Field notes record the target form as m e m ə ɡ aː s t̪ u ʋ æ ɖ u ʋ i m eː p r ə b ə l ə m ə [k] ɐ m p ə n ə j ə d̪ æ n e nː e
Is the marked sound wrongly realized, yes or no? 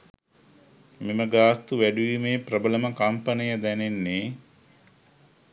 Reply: no